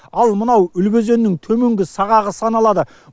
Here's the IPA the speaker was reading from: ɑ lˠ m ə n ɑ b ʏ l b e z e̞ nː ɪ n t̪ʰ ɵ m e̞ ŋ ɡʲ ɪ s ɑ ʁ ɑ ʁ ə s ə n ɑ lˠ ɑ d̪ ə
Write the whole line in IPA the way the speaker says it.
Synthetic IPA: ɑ lˠ m ə n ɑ w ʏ l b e z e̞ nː ɪ ŋ t̪ʰ ɵ m e̞ ŋ ɡʲ ɪ s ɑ ʁ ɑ ʁ ə s ɑ n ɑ lˠ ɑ d̪ ə